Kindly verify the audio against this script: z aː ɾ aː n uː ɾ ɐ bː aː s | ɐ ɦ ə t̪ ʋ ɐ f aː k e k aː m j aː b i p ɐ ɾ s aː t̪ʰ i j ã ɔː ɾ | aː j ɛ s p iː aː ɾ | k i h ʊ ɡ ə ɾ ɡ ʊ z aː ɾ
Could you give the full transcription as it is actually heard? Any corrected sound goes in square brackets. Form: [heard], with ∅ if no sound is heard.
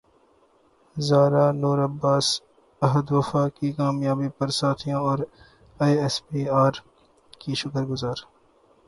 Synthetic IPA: z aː ɾ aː n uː ɾ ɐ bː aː s | ɐ ɦ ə [d̪] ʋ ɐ f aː k [i] k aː m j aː b i p ɐ ɾ s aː t̪ʰ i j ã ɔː ɾ | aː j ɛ s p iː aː ɾ | k i [ʃ] ʊ [k] ə ɾ ɡ ʊ z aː ɾ